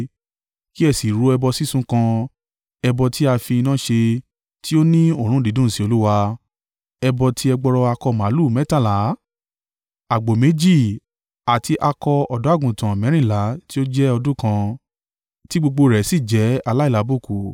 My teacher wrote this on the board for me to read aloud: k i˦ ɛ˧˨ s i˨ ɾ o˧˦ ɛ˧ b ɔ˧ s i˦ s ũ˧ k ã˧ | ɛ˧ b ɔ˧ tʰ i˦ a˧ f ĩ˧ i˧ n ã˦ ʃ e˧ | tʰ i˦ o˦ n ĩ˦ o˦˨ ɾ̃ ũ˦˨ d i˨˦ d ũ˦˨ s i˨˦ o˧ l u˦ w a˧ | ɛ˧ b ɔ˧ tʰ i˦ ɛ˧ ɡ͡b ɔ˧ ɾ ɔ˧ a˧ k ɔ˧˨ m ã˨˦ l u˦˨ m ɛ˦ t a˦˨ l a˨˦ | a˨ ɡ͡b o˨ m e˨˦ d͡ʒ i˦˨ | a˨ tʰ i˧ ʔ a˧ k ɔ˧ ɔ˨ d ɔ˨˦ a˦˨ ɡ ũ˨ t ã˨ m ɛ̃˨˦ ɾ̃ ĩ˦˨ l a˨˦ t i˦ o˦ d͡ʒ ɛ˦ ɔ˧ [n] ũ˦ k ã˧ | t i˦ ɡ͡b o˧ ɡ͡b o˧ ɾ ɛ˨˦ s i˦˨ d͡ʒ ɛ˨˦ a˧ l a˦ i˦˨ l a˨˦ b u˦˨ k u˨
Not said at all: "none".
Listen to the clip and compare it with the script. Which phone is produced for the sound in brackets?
d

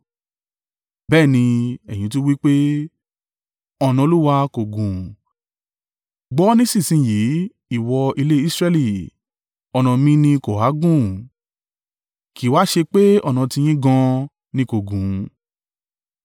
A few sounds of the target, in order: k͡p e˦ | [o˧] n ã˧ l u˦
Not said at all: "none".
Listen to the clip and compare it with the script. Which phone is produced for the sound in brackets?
ɔ˧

